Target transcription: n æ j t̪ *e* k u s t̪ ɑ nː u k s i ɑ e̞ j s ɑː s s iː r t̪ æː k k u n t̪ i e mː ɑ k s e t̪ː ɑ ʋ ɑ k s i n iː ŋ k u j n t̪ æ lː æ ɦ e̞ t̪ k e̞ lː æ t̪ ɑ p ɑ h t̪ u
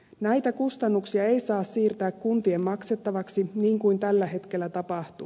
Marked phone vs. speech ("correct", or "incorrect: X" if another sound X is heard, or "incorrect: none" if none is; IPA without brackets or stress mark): incorrect: æ